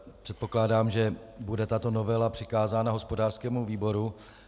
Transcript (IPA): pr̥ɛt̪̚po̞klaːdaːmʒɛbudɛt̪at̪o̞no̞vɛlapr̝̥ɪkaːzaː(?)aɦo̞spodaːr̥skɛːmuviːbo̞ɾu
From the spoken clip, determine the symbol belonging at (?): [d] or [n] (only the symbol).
n